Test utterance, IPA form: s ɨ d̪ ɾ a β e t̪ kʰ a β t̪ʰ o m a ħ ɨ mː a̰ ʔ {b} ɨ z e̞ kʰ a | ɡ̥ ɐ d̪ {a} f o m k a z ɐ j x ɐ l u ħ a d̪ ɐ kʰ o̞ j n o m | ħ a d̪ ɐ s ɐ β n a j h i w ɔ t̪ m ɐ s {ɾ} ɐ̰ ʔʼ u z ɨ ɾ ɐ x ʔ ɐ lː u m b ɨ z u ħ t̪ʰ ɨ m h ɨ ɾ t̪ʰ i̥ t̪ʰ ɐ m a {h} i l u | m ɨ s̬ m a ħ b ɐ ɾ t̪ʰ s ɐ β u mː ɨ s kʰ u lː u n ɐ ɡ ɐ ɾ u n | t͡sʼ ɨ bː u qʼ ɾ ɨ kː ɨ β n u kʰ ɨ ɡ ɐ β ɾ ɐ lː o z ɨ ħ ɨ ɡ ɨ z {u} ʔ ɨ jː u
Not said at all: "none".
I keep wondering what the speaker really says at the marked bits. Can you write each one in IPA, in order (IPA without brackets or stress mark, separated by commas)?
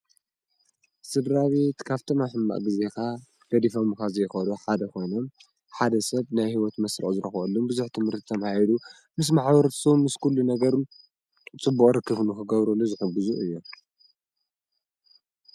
ɡ, i, ɾ, h, u